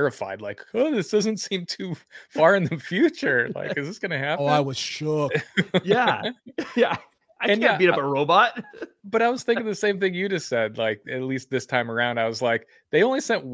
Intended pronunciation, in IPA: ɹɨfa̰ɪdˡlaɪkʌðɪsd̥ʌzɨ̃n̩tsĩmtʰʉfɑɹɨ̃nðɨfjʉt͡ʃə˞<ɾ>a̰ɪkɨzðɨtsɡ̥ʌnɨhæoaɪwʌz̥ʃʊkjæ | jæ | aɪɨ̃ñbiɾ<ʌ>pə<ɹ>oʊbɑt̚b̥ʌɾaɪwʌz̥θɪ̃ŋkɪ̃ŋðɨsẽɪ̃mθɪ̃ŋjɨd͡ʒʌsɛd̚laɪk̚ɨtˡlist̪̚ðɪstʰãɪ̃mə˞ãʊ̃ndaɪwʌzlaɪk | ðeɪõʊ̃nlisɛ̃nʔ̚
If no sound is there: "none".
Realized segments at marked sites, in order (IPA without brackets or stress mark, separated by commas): l, ʌ, ɹ